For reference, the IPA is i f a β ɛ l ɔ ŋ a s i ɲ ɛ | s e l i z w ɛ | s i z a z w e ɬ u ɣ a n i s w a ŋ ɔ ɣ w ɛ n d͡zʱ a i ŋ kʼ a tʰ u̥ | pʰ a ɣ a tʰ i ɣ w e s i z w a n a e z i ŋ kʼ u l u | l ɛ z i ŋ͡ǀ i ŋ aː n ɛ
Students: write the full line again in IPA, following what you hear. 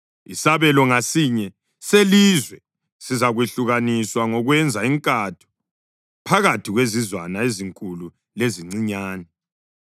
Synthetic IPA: i s a β ɛ l ɔ ŋ a s i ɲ ɛ | s e l i z w ɛ | s i z a ɣ w e ɬ u ɣ a n i s w a ŋ ɔ ɣ w ɛ n d͡zʱ a i ŋ kʼ a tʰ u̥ | pʰ a ɣ a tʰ i ɣ w e z i z w a n a e z i ŋ kʼ u l u | l e z i ŋ͡ǀ i ɲ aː n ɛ